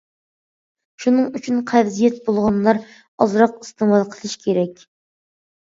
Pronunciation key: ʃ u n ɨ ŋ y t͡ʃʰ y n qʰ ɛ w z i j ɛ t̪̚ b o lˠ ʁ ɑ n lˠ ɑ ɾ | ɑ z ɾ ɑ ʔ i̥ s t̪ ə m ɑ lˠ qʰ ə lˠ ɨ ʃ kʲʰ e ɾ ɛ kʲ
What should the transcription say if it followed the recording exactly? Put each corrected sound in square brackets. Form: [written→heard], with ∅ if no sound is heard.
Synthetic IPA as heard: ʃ u n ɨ ŋ y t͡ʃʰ y n qʰ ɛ [w→v] z i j ɛ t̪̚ b o lˠ ʁ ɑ n lˠ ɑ ɾ | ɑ z ɾ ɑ [ʔ→q] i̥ s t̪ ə m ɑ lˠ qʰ ə lˠ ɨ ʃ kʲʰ e ɾ ɛ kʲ